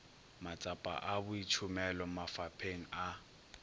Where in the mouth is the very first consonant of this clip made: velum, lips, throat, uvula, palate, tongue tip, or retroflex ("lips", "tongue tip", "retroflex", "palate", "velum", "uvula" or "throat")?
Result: lips